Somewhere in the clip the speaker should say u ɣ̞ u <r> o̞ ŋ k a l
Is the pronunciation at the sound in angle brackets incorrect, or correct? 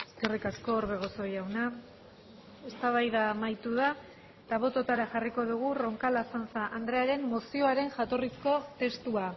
correct